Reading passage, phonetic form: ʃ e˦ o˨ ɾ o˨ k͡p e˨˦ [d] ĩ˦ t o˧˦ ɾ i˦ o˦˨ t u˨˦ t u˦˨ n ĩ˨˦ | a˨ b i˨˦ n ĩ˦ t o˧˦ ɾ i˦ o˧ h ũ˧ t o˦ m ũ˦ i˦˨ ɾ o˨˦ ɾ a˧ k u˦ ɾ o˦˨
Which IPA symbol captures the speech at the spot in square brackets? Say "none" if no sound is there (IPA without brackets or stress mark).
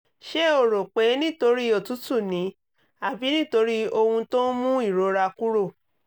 n